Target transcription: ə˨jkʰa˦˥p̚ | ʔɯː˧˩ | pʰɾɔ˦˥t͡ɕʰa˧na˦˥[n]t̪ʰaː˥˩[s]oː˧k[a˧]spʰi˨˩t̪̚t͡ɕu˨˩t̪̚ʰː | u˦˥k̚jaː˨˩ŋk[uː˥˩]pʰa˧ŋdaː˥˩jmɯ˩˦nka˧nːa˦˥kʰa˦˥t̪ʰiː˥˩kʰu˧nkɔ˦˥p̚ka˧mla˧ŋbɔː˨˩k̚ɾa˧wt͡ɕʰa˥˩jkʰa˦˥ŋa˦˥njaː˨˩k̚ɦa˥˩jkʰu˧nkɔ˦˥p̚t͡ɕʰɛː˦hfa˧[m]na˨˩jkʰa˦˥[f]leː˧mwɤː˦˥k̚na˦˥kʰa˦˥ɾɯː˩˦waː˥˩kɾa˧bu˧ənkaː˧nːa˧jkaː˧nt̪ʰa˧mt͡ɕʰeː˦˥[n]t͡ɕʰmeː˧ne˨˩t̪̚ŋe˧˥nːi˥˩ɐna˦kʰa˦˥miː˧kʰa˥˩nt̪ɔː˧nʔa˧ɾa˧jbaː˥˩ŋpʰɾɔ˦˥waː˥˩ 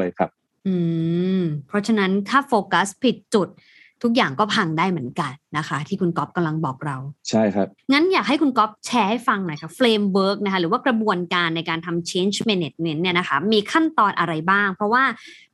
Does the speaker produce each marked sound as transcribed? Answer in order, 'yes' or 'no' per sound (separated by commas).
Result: yes, no, no, no, no, yes, yes